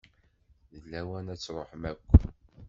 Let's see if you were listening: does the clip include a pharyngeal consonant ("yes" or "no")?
yes